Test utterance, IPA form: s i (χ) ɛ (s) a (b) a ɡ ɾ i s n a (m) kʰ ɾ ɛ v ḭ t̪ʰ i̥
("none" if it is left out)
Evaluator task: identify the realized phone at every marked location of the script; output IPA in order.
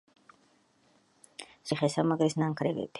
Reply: χ, s, m, ŋ

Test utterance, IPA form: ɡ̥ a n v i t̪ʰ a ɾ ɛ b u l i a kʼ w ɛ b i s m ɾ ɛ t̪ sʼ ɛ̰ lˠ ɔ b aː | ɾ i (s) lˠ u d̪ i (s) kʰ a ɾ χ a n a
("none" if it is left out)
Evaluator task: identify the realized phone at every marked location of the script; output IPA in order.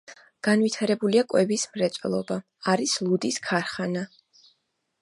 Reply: s, s

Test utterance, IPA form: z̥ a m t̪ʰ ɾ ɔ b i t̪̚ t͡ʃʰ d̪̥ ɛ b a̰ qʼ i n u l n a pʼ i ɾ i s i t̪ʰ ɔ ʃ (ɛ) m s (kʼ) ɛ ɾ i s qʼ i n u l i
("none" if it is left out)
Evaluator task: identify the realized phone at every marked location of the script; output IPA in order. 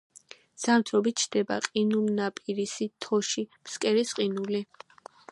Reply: i, kʼ

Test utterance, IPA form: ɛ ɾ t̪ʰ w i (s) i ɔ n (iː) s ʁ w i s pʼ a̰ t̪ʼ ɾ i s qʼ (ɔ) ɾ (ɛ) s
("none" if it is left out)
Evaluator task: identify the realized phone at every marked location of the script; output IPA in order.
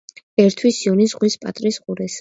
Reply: s, i, u, ɛ

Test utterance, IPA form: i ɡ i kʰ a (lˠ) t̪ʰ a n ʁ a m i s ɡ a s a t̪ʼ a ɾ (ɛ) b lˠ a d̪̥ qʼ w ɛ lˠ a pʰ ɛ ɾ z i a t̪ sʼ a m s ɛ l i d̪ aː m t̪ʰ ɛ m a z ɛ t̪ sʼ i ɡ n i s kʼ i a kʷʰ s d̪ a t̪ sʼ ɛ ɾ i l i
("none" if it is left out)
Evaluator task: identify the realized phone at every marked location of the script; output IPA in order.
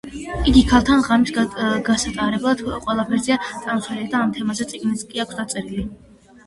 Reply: lˠ, ɛ

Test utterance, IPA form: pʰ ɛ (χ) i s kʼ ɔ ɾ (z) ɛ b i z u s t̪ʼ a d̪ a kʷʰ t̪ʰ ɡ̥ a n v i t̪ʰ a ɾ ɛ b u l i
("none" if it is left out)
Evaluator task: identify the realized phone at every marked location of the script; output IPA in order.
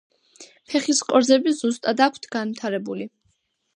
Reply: χ, z

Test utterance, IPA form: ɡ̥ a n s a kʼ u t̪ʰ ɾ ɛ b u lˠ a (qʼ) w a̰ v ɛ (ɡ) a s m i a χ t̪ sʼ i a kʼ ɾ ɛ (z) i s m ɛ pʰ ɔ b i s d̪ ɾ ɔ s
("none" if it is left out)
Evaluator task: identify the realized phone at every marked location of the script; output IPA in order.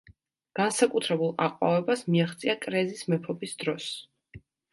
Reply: qʼ, b, z

